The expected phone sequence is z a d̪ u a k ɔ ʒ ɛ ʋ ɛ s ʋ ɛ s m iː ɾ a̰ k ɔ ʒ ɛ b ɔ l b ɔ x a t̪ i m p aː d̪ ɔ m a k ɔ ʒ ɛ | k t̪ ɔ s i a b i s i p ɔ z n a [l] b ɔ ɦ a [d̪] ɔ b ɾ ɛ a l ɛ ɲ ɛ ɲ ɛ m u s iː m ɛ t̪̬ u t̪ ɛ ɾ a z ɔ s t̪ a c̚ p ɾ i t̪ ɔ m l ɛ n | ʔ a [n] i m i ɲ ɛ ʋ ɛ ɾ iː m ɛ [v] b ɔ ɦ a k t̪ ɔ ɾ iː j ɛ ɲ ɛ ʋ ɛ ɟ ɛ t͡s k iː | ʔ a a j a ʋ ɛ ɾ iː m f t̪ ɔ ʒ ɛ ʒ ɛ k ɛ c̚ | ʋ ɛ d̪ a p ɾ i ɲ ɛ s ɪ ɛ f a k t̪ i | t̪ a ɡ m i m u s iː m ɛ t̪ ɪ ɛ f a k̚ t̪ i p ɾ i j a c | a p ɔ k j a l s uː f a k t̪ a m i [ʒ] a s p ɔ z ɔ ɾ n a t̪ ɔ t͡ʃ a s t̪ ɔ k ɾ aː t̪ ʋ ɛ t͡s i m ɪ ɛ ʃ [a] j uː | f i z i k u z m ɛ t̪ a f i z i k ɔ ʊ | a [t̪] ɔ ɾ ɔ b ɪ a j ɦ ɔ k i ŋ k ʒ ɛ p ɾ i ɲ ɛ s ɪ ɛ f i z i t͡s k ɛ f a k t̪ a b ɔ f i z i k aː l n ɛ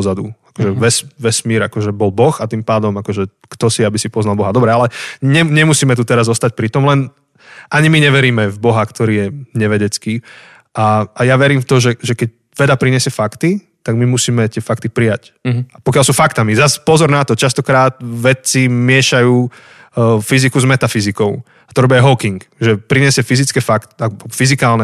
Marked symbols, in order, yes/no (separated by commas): yes, yes, no, yes, no, yes, yes